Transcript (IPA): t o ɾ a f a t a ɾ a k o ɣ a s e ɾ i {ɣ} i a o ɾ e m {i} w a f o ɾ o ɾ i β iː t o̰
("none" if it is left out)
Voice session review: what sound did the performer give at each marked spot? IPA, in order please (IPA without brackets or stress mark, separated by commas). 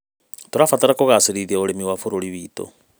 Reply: ð, i